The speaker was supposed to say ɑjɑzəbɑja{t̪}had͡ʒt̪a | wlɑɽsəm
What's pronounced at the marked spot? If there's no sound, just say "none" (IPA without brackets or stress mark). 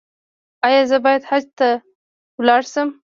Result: d̪